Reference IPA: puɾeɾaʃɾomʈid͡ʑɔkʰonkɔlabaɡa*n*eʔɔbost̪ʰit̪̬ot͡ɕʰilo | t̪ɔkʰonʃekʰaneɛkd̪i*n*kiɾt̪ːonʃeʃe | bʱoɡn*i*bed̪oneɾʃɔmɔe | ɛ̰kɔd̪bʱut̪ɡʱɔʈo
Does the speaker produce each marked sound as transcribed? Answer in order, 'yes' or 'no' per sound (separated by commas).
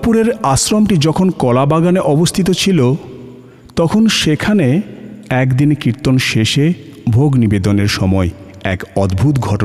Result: yes, yes, yes